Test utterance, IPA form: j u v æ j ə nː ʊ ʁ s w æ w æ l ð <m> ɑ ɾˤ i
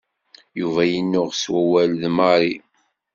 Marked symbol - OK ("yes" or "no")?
yes